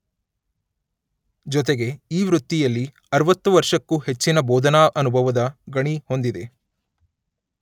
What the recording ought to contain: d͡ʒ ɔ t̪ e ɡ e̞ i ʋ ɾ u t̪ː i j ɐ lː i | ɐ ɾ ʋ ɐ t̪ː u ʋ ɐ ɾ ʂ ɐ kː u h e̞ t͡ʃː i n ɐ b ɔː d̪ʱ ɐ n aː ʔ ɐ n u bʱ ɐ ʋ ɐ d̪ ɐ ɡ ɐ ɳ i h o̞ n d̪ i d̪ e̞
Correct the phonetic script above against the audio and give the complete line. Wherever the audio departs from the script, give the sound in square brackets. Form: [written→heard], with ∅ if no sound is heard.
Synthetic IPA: d͡ʒ ɔ t̪ e ɡ e̞ [i→iː] ʋ ɾ u t̪ː i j ɐ lː i | ɐ ɾ ʋ ɐ t̪ː u ʋ ɐ ɾ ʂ ɐ kː u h e̞ t͡ʃː i n ɐ b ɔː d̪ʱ ɐ n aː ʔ ɐ n u bʱ ɐ ʋ ɐ d̪ ɐ ɡ ɐ ɳ i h o̞ n d̪ i d̪ e̞

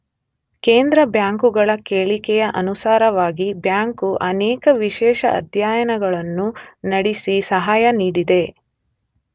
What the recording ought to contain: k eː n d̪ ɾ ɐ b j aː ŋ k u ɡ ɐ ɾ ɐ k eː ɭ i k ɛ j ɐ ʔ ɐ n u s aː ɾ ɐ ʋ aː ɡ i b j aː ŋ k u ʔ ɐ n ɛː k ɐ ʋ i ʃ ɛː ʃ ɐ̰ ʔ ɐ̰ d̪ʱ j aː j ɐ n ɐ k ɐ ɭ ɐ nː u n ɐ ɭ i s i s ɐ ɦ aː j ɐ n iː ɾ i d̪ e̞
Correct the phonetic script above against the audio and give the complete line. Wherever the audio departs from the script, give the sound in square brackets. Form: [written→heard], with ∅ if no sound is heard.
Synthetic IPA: k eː n d̪ ɾ ɐ b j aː ŋ k u ɡ ɐ [ɾ→ɭ] ɐ k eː ɭ i k ɛ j ɐ ʔ ɐ n u s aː ɾ ɐ ʋ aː ɡ i b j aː ŋ k u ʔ ɐ n ɛː k ɐ ʋ i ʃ ɛː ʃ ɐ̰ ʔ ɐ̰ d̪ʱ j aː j ɐ n ɐ [k→ɡ] ɐ ɭ ɐ nː u n ɐ [ɭ→ɽ] i s i s ɐ ɦ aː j ɐ n iː [ɾ→ɽ] i d̪ e̞

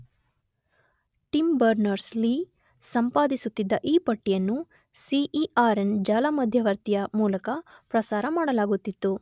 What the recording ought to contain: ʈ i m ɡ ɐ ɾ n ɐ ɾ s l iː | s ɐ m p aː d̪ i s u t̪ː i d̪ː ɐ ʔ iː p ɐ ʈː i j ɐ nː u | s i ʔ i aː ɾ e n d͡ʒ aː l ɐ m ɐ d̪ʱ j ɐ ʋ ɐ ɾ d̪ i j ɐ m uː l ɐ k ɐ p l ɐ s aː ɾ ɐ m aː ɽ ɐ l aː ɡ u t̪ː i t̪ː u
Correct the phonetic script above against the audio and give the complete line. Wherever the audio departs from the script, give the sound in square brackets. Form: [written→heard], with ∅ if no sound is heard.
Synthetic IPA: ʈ i m [ɡ→b] ɐ ɾ n ɐ ɾ s l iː | s ɐ m p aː d̪ i s u t̪ː i d̪ː ɐ ʔ iː p ɐ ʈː i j ɐ nː u | s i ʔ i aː ɾ e n d͡ʒ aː l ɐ m ɐ d̪ʱ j ɐ ʋ ɐ ɾ [d̪→t̪] i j ɐ m uː l ɐ k ɐ p [l→ɾ] ɐ s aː ɾ ɐ m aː ɽ ɐ l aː ɡ u t̪ː i t̪ː u

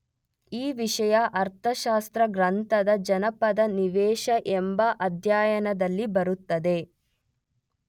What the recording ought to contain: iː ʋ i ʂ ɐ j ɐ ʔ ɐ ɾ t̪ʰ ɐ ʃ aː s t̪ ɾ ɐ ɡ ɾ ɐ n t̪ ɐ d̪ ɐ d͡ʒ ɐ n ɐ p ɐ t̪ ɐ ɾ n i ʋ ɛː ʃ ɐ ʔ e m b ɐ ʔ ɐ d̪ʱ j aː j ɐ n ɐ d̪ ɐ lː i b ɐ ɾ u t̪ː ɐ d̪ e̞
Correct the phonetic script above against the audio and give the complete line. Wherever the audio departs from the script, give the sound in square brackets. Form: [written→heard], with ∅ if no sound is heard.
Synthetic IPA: iː ʋ i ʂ ɐ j ɐ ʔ ɐ ɾ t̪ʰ ɐ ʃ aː s t̪ ɾ ɐ ɡ ɾ ɐ n t̪ ɐ d̪ ɐ d͡ʒ ɐ n ɐ p ɐ [t̪→d̪] ɐ [ɾ→∅] n i ʋ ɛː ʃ ɐ ʔ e m b ɐ ʔ ɐ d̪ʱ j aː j ɐ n ɐ d̪ ɐ lː i b ɐ ɾ u t̪ː ɐ d̪ e̞

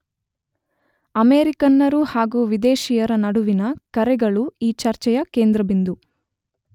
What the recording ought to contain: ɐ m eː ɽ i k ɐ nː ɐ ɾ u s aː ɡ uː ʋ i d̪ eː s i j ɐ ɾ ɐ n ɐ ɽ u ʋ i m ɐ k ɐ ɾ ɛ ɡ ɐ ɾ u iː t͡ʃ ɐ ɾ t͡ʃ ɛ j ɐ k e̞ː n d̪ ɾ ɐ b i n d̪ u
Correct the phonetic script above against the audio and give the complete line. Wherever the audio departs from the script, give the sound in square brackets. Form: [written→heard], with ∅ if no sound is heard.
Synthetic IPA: ɐ m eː [ɽ→ɾ] i k ɐ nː ɐ ɾ u [s→h] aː ɡ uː ʋ i d̪ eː [s→ʃ] i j ɐ ɾ ɐ n ɐ ɽ u ʋ i [m→n] ɐ k ɐ ɾ ɛ ɡ ɐ [ɾ→ɭ] u iː t͡ʃ ɐ ɾ t͡ʃ ɛ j ɐ k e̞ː n d̪ ɾ ɐ b i n d̪ u

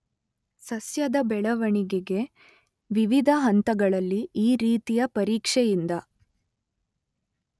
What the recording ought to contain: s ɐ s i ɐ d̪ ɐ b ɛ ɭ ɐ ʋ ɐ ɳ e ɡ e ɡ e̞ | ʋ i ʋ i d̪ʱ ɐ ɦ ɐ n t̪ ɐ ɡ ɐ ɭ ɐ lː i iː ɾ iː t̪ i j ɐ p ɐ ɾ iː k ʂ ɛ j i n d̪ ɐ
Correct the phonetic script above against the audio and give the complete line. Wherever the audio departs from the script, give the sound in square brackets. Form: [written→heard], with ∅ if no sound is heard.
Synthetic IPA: s ɐ s [i→j] ɐ d̪ ɐ b ɛ ɭ ɐ ʋ ɐ ɳ [e→i] ɡ e ɡ e̞ | ʋ i ʋ i d̪ʱ ɐ ɦ ɐ n t̪ ɐ ɡ ɐ ɭ ɐ lː i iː ɾ iː t̪ i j ɐ p ɐ ɾ iː k ʂ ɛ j i n d̪ ɐ

